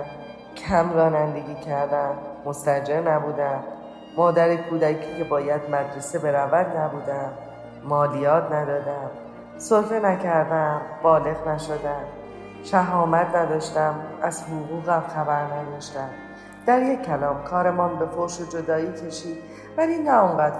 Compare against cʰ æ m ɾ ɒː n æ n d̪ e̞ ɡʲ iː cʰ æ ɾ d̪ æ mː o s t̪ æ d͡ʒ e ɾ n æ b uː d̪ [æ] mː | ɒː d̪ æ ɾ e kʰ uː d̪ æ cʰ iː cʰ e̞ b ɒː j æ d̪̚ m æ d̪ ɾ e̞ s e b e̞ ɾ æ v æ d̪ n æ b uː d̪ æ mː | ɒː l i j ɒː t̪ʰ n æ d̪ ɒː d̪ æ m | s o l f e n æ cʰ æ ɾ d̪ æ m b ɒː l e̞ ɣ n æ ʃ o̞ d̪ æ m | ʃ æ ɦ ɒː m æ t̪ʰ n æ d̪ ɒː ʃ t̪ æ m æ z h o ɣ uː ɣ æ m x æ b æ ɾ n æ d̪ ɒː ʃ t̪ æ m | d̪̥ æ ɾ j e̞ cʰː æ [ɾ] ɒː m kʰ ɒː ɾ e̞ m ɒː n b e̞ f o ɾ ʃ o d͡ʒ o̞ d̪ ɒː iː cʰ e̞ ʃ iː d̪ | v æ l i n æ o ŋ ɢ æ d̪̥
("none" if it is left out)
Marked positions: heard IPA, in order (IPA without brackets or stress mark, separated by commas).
æ, l